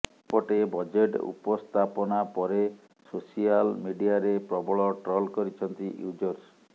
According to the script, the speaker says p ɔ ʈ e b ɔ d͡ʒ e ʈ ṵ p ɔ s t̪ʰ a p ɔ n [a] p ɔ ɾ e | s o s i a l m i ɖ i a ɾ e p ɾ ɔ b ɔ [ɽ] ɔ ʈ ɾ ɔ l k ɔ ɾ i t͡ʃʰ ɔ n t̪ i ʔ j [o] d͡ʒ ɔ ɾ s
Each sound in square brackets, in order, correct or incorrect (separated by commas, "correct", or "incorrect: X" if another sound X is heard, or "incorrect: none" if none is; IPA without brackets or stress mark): correct, incorrect: ɭ, incorrect: u